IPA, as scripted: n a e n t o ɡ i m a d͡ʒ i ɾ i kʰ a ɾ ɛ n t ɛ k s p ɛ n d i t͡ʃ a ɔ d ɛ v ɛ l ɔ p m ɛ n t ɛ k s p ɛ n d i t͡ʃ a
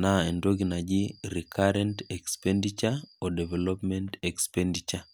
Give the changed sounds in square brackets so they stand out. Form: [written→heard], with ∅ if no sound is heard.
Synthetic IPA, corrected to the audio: n a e n [t→d] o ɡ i [m→n] a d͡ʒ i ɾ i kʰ a ɾ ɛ n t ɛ k s p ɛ n d i t͡ʃ a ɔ d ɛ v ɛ l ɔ p m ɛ n t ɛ k s p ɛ n d i t͡ʃ a